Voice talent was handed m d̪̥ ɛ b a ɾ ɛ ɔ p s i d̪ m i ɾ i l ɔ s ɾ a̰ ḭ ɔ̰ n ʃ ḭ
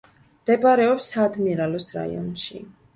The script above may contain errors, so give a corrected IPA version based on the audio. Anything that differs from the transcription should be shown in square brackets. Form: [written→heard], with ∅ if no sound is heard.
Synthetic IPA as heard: m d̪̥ ɛ b a ɾ ɛ ɔ p s [i→a] d̪ m i ɾ [i→a] l ɔ s ɾ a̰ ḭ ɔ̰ n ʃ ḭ